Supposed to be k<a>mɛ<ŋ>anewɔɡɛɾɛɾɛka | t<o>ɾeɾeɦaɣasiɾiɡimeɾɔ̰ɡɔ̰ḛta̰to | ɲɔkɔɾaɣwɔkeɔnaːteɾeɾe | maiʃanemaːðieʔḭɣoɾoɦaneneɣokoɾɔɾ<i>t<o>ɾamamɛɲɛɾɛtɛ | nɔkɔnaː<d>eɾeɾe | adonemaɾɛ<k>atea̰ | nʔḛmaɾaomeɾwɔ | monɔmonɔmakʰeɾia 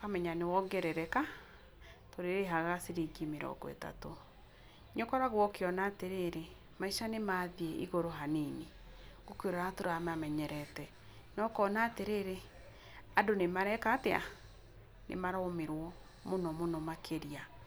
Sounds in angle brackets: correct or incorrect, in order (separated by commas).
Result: correct, incorrect, correct, incorrect, correct, incorrect, correct